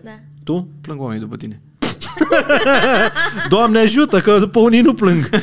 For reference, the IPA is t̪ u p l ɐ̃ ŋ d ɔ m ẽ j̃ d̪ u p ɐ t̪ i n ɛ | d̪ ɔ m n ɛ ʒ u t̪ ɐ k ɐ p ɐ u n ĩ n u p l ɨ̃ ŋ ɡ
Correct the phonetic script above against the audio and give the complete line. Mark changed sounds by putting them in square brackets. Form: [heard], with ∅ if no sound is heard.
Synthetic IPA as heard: t̪ u p l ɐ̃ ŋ [ɡ] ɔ m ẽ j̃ d̪ u p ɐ t̪ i n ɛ | d̪ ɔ m n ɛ ʒ u t̪ ɐ k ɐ p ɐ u n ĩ n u p l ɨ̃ ŋ ɡ